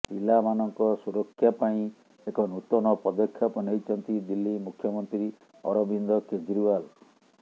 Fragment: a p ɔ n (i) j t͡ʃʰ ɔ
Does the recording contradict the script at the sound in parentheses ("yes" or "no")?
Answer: yes